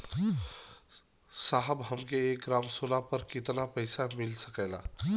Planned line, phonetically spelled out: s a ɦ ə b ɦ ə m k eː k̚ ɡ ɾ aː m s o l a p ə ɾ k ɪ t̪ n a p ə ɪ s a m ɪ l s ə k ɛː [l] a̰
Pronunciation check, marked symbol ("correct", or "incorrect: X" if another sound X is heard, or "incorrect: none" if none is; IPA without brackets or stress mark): correct